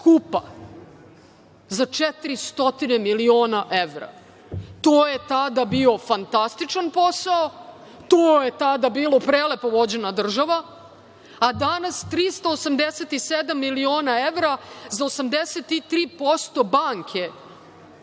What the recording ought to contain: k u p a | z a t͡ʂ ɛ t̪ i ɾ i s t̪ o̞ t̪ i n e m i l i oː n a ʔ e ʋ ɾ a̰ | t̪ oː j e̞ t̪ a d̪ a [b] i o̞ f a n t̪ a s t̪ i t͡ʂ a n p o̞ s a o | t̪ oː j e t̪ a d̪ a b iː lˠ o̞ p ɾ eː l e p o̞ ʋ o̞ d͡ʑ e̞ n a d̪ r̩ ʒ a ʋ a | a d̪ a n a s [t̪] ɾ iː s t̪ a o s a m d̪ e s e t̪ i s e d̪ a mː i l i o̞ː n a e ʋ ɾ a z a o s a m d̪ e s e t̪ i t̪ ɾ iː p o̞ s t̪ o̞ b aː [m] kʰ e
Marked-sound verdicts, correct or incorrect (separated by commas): correct, correct, incorrect